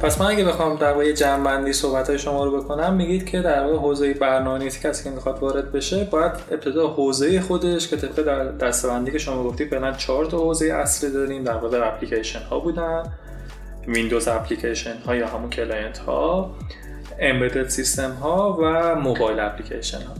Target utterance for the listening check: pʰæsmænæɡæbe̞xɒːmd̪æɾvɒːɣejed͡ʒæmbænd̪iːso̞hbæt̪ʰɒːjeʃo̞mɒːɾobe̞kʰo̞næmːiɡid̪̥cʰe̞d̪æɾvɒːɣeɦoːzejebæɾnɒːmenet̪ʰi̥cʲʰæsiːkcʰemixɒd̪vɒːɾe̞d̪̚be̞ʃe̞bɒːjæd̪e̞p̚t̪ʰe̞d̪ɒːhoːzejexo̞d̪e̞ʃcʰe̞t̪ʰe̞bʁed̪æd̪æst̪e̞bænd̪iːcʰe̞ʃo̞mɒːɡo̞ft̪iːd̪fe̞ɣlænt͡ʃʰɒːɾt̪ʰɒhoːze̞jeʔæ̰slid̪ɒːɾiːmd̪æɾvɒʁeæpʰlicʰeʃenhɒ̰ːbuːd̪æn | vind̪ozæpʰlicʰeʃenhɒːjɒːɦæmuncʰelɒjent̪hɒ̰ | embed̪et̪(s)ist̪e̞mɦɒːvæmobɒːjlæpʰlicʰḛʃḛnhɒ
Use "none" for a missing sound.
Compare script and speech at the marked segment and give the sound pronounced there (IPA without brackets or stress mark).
s